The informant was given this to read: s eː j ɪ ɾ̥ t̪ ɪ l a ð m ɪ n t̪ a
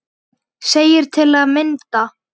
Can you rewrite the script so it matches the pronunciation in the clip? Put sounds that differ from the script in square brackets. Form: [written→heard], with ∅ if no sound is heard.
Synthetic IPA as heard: s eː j ɪ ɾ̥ [t̪→t̪ʰ] ɪ l a ð m ɪ n t̪ a